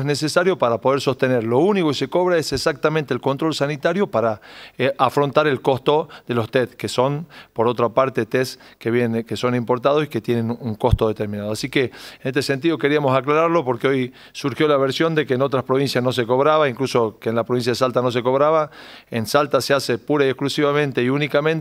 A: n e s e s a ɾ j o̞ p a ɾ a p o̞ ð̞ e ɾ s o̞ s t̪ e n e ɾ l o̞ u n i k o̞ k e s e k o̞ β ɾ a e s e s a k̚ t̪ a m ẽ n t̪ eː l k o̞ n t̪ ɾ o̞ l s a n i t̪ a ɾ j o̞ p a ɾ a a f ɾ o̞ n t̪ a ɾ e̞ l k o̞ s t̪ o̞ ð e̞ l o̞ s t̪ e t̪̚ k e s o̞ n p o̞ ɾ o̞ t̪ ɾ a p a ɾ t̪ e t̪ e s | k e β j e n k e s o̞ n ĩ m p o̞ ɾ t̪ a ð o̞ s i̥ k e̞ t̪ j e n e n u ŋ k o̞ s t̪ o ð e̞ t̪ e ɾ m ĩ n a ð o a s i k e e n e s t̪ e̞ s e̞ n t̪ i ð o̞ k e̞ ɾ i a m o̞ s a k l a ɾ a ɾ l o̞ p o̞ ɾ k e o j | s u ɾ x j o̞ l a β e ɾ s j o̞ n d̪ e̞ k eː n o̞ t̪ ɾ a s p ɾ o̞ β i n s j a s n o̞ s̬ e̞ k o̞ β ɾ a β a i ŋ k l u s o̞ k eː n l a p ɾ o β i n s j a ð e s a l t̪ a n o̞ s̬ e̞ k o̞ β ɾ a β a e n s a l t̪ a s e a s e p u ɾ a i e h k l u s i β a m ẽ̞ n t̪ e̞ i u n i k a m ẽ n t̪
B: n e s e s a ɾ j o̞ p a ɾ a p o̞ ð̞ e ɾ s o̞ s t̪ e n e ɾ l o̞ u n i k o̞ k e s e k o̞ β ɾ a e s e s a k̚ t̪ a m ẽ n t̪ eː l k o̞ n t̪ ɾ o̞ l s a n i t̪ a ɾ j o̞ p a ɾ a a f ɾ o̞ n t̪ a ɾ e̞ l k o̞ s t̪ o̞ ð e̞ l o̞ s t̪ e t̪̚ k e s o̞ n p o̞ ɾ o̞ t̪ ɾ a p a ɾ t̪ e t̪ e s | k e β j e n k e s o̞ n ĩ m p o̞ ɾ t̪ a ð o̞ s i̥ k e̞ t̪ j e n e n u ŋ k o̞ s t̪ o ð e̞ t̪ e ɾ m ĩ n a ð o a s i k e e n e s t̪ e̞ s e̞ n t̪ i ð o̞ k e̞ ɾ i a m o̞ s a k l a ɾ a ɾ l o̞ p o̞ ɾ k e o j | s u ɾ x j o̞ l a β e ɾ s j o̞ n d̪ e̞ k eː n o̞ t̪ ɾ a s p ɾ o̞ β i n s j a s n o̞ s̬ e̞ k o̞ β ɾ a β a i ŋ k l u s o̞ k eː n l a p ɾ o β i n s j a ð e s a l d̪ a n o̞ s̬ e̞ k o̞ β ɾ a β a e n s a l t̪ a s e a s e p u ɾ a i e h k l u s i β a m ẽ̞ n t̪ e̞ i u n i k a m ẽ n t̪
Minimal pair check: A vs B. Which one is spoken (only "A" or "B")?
A